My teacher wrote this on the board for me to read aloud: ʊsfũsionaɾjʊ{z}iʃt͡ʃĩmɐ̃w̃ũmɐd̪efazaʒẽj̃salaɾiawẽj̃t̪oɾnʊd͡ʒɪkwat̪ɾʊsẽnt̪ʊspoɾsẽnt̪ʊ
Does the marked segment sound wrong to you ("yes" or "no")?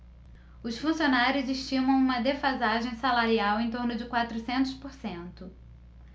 no